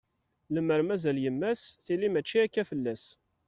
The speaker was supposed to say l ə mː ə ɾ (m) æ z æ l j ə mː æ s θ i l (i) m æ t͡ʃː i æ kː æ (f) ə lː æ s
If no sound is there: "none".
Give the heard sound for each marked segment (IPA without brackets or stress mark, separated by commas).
m, i, f